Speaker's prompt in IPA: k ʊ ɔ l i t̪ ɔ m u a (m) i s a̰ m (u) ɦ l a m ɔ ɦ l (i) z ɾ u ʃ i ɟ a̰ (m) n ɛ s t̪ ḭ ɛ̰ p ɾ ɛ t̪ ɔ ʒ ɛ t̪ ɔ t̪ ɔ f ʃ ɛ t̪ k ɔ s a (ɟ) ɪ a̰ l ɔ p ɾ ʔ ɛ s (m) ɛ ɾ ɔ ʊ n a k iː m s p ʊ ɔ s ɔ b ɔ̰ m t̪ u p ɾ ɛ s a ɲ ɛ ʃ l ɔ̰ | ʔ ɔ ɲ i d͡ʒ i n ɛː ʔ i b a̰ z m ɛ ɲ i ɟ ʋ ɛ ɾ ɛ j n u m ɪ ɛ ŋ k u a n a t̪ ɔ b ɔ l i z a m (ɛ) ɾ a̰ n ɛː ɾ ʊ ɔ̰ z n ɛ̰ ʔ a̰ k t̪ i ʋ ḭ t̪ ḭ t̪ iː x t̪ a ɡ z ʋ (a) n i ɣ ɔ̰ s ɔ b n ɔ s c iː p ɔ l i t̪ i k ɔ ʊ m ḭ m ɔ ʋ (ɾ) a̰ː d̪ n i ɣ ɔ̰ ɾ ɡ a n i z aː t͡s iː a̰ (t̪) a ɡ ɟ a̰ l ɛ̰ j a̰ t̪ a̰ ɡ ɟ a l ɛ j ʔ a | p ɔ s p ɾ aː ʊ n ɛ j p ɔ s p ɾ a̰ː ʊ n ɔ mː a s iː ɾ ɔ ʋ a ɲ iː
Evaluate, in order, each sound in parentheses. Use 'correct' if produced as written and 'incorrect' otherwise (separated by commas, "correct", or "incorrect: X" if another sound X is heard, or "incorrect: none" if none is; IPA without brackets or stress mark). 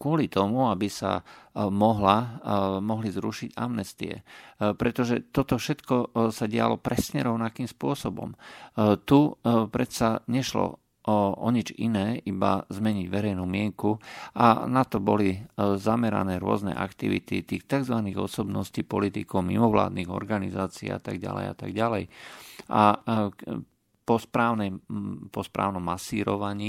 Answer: incorrect: b, incorrect: ɔ, correct, correct, correct, incorrect: ɲ, correct, correct, incorrect: l, correct